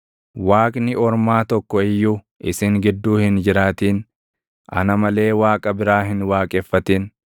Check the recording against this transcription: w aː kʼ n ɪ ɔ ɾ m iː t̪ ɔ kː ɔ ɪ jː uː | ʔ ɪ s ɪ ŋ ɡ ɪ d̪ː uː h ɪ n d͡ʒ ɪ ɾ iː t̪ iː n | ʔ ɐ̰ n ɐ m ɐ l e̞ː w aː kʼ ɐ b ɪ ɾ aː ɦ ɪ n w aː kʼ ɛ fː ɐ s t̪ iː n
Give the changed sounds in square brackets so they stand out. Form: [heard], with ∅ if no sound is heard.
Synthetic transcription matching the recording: w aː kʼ n ɪ ɔ ɾ m [aː] t̪ ɔ kː ɔ ɪ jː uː | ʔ ɪ s ɪ ŋ ɡ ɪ d̪ː uː h ɪ n d͡ʒ ɪ ɾ [aː] t̪ iː n | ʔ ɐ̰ n ɐ m ɐ l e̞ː w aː kʼ ɐ b ɪ ɾ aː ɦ ɪ n w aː kʼ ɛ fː ɐ [∅] t̪ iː n